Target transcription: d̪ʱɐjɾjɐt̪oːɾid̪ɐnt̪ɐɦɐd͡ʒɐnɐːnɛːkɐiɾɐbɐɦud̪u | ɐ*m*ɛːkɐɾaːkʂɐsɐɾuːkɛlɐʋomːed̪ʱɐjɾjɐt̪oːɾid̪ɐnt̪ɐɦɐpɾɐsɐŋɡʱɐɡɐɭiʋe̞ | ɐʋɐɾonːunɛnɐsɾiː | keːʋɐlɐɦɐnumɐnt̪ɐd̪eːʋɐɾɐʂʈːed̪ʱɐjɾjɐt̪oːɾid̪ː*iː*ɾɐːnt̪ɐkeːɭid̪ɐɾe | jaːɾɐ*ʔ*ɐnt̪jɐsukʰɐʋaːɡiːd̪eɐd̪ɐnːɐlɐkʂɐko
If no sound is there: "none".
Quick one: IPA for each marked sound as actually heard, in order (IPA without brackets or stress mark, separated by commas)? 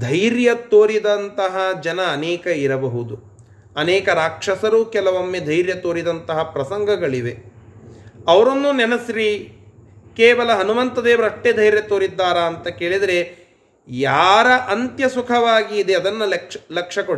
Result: n, aː, ʔ